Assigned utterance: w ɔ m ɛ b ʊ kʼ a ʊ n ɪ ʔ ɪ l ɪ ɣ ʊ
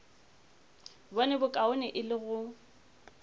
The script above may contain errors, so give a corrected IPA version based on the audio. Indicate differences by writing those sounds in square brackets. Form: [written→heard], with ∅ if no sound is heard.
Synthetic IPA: [w→b] ɔ [m→n] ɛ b ʊ kʼ a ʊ n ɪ ʔ ɪ l ɪ ɣ ʊ